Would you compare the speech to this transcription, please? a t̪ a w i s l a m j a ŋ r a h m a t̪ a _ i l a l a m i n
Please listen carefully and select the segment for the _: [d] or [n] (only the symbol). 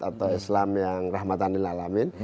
n